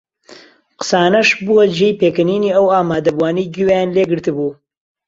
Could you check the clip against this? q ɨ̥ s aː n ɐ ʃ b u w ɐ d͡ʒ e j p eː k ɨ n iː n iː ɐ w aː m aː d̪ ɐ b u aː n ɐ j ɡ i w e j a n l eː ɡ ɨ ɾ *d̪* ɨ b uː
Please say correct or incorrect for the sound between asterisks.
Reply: incorrect: t̪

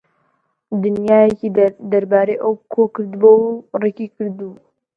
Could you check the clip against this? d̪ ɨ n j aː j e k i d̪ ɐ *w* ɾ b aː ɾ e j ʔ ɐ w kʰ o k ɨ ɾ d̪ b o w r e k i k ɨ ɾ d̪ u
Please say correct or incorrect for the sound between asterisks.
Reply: incorrect: none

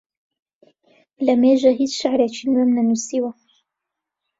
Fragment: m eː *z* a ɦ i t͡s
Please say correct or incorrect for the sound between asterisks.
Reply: incorrect: ʒ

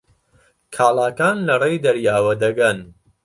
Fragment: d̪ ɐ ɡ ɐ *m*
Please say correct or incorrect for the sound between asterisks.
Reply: incorrect: n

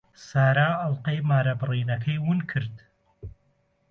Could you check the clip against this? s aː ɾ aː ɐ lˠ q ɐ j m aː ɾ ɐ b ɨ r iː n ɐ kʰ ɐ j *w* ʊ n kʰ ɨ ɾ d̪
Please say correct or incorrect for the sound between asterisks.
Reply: correct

